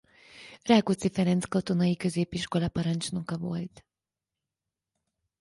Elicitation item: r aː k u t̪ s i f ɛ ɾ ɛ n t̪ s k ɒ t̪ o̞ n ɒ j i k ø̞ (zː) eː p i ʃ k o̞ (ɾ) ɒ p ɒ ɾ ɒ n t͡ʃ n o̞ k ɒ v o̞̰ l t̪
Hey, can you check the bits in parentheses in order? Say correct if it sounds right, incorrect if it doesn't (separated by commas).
incorrect, incorrect